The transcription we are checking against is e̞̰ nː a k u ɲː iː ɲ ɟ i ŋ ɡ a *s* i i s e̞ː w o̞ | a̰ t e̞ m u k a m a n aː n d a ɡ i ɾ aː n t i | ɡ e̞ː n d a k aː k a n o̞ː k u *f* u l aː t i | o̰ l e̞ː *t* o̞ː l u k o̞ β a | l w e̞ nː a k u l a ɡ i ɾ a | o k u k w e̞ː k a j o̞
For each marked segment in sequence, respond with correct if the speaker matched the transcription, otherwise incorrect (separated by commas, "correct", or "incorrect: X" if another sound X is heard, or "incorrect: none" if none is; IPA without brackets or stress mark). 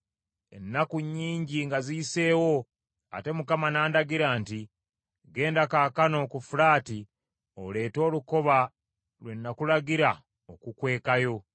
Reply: incorrect: z, correct, correct